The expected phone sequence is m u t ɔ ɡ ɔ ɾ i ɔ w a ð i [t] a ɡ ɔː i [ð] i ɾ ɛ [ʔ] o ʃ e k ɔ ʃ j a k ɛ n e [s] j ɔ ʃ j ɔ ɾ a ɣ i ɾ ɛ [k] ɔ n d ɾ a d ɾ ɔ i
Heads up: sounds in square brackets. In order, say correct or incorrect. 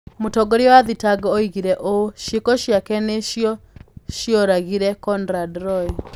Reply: correct, incorrect, correct, incorrect, correct

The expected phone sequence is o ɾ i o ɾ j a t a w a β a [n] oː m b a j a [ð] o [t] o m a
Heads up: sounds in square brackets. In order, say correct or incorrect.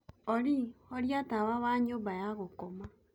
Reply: incorrect, incorrect, incorrect

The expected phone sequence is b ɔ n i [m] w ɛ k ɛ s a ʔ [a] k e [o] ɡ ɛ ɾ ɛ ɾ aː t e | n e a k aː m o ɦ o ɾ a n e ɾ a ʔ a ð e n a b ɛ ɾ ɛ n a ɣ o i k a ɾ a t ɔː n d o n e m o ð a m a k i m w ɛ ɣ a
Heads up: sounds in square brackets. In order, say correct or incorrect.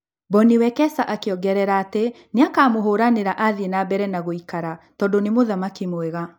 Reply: incorrect, correct, incorrect

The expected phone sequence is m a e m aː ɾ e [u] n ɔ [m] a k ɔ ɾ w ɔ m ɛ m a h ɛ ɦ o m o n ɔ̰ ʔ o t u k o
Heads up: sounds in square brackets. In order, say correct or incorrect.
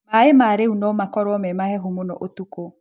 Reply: correct, correct

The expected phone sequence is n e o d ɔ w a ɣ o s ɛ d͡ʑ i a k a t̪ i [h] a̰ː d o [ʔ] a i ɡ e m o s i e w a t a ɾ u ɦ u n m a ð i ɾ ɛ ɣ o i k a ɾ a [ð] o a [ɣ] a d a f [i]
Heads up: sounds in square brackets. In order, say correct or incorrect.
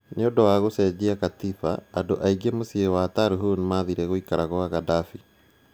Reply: incorrect, correct, incorrect, correct, correct

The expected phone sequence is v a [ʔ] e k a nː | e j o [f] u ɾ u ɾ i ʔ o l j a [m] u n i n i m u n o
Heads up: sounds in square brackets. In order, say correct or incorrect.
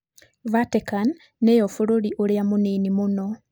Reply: incorrect, correct, correct

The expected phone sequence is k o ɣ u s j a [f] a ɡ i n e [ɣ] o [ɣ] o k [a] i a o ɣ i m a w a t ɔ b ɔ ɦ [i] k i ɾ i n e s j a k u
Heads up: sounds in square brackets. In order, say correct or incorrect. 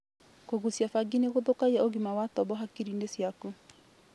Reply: correct, correct, incorrect, correct, incorrect

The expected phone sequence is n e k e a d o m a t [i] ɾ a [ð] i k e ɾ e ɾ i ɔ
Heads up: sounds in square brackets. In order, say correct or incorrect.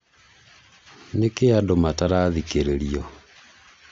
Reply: incorrect, correct

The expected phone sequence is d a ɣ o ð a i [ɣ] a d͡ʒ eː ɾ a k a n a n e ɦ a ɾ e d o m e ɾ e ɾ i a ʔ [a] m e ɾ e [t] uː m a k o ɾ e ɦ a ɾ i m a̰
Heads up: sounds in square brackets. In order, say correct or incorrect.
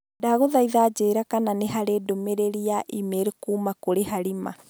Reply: incorrect, incorrect, incorrect

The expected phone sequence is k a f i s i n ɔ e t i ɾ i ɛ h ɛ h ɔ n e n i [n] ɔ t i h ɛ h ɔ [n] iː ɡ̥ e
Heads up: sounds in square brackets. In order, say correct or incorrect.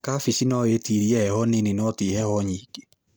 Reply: correct, incorrect

